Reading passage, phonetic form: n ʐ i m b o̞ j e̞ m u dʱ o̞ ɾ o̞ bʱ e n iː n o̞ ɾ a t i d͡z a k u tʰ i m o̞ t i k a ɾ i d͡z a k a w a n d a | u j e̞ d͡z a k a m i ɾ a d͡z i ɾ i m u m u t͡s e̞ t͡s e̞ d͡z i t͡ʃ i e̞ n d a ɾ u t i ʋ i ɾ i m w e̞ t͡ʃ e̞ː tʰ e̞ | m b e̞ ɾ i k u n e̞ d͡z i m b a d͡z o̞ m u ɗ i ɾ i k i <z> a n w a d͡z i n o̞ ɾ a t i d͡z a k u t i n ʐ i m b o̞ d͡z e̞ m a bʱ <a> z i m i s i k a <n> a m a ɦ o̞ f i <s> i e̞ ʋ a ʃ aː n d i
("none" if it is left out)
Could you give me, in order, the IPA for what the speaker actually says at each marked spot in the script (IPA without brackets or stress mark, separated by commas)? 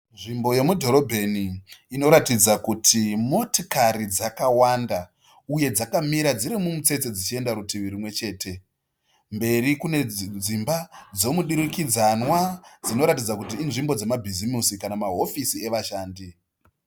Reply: d͡z, i, n, s